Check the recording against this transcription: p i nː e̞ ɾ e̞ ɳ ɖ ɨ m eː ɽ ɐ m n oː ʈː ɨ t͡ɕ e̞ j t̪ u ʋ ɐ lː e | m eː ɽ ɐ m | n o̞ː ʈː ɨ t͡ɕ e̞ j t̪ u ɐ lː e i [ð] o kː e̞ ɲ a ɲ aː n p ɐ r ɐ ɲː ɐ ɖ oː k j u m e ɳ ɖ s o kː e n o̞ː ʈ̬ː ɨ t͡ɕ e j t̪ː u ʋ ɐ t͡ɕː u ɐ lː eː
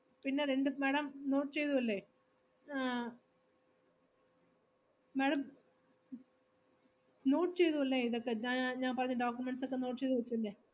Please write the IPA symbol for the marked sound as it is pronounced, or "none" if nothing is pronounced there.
ð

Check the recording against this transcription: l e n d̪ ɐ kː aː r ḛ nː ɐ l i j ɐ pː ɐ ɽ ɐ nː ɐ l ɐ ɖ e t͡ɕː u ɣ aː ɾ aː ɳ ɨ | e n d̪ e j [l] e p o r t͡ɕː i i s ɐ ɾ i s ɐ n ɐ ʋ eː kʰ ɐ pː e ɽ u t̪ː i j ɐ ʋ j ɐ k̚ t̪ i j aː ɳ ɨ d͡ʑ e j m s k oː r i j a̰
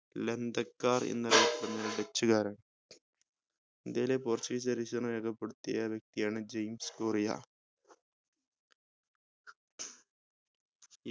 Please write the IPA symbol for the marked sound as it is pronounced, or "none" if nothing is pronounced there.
l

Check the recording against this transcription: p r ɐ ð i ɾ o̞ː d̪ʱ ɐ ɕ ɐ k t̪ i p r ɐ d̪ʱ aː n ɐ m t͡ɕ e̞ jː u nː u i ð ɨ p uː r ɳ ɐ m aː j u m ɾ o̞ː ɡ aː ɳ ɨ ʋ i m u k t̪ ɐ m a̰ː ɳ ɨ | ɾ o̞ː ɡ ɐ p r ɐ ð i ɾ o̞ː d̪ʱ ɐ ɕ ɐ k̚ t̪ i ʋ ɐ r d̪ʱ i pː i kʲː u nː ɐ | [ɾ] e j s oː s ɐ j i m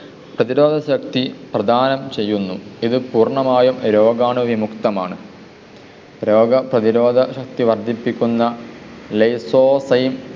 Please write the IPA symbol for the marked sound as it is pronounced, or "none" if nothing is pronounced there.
l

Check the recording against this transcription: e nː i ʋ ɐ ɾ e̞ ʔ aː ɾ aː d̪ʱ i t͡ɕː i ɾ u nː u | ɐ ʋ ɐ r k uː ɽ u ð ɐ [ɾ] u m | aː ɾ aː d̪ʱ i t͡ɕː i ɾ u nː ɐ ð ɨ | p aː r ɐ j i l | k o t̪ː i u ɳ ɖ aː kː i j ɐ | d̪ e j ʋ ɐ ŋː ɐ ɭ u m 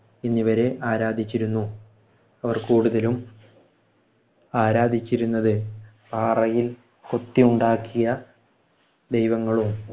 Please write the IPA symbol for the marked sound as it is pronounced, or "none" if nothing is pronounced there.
l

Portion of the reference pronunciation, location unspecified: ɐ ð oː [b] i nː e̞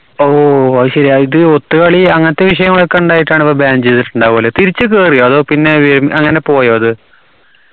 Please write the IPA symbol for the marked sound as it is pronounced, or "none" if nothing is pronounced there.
p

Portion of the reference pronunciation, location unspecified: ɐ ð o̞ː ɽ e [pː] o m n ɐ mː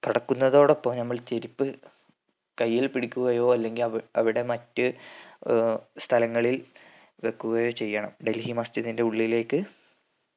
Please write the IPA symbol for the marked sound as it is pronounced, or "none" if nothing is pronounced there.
pː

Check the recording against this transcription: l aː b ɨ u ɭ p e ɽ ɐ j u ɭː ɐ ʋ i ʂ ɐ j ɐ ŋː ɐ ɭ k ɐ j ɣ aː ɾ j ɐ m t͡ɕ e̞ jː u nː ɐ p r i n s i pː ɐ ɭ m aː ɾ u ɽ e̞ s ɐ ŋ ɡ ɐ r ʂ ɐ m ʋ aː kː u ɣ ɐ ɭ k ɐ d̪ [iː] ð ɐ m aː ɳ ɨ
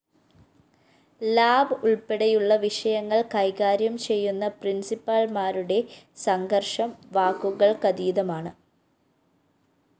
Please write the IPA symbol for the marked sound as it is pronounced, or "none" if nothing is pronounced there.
iː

